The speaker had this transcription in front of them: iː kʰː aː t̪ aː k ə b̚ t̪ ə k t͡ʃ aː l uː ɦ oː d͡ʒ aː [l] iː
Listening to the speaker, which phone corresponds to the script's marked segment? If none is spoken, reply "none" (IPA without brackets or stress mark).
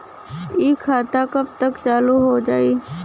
none